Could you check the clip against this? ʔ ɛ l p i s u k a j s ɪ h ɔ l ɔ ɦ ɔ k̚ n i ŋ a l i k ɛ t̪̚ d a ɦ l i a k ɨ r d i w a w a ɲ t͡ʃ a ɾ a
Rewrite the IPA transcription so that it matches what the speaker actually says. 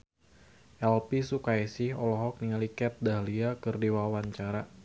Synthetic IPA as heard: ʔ ɛ l p i s u k a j s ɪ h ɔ l ɔ ɦ ɔ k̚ n i ŋ a l i k ɛ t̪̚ d a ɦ l i a k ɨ r d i w a w a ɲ t͡ʃ a ɾ a